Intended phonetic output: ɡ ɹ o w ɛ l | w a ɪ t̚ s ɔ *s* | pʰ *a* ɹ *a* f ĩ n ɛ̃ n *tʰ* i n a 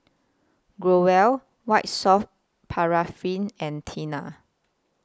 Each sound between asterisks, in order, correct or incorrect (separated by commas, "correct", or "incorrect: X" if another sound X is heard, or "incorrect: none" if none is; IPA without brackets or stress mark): incorrect: f, correct, correct, correct